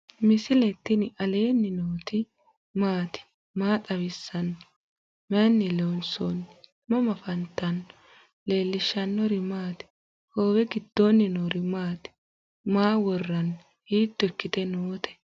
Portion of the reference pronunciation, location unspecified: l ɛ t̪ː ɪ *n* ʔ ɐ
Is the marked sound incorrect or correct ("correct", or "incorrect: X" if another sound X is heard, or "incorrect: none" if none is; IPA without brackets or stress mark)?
correct